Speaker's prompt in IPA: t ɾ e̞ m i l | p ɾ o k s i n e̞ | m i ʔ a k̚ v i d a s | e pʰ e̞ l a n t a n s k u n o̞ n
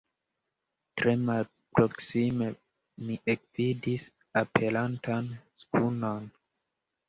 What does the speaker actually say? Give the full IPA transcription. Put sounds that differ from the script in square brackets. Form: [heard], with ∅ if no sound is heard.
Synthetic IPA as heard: t ɾ e̞ m [a] l | p ɾ o k s i [m] e̞ | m i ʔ [e] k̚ v i d [i] s | [a] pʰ e̞ l a n t a n s k u n o̞ n